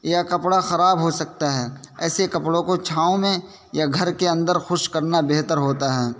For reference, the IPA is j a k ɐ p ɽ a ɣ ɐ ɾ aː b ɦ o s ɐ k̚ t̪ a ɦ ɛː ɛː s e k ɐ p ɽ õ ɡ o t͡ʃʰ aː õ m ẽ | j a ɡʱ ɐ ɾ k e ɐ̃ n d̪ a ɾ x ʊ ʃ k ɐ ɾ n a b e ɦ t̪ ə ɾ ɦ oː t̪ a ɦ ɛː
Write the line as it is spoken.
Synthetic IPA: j a k ɐ p ɽ a x ɐ ɾ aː b ɦ o s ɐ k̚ t̪ a ɦ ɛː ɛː s e k ɐ p ɽ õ k o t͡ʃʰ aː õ m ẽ | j a ɡʱ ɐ ɾ k e ɐ̃ n d̪ ə ɾ x ʊ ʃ k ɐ ɾ n a b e ɦ t̪ ə ɾ ɦ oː t̪ a ɦ ɛː